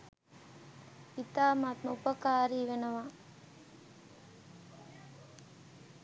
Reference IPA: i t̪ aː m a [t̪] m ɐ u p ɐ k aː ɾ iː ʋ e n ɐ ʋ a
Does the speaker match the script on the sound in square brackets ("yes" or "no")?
yes